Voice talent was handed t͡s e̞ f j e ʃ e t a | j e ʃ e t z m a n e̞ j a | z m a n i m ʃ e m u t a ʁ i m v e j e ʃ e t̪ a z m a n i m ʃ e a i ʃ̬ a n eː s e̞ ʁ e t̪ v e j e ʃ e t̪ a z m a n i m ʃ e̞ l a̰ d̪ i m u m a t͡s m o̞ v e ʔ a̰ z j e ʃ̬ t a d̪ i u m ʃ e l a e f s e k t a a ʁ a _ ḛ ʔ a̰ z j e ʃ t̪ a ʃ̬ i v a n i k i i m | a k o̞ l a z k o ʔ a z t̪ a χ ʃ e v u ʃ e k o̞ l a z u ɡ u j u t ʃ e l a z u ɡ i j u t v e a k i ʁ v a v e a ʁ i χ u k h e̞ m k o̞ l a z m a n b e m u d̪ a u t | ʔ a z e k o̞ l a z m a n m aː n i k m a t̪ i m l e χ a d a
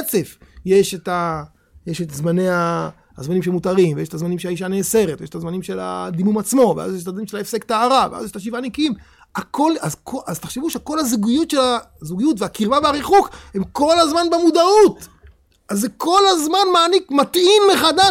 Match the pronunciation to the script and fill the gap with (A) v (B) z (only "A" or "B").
A